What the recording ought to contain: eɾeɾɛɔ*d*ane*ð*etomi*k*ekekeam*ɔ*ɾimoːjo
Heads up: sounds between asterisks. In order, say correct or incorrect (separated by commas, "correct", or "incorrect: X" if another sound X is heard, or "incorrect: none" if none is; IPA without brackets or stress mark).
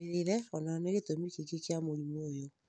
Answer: incorrect: n, incorrect: ɣ, correct, incorrect: o